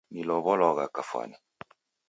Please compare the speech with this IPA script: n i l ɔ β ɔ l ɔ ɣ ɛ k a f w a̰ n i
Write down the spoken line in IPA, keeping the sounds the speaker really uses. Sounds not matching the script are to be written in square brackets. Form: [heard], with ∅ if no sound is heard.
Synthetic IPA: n i l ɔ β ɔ l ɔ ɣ [a] k a f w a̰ n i